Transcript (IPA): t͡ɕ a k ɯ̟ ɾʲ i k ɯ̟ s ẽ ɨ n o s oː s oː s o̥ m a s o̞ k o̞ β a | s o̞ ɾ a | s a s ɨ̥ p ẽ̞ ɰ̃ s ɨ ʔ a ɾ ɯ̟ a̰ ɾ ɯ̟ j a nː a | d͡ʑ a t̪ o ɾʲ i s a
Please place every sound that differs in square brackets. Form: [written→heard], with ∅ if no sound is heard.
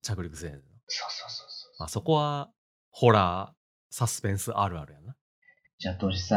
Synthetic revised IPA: t͡ɕ a k ɯ̟ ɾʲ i k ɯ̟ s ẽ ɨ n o s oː s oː s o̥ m a s o̞ k o̞ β a | [s→h] o̞ ɾ a | s a s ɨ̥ p ẽ̞ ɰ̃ s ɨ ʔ a ɾ ɯ̟ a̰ ɾ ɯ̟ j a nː a | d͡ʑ a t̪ o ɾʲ i s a